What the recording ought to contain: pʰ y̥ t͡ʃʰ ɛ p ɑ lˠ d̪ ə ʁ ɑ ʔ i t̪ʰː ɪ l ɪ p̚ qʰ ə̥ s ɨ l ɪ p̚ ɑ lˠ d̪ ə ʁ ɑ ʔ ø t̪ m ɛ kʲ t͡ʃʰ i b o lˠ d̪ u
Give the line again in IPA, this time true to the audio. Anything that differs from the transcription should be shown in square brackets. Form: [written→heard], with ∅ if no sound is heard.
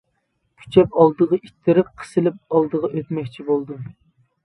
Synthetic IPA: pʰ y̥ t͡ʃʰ ɛ p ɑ lˠ d̪ ə ʁ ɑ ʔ i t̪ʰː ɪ [l→ɾ] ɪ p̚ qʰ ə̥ s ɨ l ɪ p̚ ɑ lˠ d̪ ə ʁ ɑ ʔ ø t̪ m ɛ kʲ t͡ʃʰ i b o lˠ d̪ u